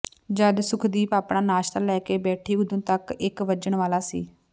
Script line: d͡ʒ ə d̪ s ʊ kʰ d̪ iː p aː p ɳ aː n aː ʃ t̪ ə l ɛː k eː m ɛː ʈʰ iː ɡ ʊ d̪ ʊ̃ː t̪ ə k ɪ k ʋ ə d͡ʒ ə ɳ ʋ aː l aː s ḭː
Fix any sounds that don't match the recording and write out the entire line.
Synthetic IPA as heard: d͡ʒ ə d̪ s ʊ kʰ d̪ iː p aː p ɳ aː n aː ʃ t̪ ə l ɛː k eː b ɛː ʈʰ iː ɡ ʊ d̪ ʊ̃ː t̪ ə k ɪ k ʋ ə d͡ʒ ə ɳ ʋ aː l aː s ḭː